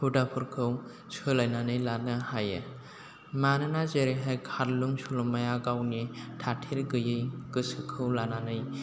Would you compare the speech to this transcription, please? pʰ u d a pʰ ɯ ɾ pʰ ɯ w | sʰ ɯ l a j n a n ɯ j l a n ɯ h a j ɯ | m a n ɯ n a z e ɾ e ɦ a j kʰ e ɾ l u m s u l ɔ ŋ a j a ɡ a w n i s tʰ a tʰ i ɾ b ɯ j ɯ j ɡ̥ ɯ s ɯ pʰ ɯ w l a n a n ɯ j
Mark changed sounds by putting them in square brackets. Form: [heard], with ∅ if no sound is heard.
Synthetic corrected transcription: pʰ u d a pʰ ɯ ɾ [kʰ] ɯ w | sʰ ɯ l a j n a n ɯ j l a n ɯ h a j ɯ | m a n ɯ n a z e ɾ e ɦ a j kʰ [a] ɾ l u [ŋ] s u l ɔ [m] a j a ɡ a w n i [∅] tʰ a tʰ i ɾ [ɡ] ɯ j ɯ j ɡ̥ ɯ s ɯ [kʰ] ɯ w l a n a n ɯ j